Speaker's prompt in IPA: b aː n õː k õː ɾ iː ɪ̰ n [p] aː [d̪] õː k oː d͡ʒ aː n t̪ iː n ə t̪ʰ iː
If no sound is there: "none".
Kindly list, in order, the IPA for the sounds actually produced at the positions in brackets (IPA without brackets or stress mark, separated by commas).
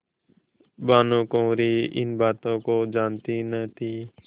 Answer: b, t̪